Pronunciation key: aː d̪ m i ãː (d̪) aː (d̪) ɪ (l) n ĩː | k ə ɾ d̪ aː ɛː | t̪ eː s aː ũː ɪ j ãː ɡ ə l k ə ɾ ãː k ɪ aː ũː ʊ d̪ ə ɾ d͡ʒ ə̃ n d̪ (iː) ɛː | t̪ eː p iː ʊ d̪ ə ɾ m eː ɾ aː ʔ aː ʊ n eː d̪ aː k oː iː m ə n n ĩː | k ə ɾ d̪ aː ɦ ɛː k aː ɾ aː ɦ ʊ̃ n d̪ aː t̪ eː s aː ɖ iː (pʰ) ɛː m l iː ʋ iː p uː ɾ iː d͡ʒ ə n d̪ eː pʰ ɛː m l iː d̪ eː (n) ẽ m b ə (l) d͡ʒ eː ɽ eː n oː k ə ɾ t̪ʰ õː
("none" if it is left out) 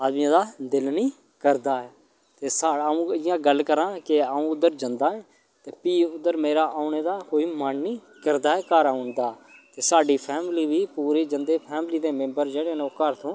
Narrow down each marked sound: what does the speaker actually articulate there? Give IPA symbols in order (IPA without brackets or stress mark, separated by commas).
d̪, d̪, l, aː, pʰ, m, ɾ